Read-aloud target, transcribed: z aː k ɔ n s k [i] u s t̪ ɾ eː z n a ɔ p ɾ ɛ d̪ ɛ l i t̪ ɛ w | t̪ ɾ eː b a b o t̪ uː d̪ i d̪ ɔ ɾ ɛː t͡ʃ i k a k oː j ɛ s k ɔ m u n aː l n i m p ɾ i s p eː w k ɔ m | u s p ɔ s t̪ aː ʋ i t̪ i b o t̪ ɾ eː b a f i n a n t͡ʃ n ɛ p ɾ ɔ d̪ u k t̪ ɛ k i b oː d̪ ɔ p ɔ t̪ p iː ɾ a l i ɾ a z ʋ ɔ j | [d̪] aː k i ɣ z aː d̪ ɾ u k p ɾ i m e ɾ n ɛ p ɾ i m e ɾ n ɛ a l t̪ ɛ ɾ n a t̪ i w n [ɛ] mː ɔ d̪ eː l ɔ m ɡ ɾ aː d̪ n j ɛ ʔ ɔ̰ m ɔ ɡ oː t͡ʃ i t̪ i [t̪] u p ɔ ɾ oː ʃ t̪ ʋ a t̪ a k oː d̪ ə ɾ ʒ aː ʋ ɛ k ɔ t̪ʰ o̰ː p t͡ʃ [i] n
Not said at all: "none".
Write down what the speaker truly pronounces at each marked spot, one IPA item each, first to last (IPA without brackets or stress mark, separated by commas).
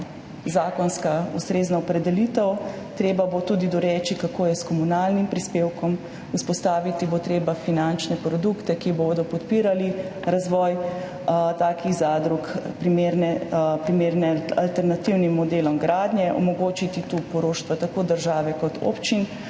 a, t̪, i, t̪, i